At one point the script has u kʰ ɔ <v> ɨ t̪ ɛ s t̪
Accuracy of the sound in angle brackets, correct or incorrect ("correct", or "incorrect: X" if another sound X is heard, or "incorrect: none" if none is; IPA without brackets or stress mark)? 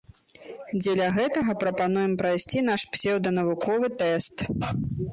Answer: correct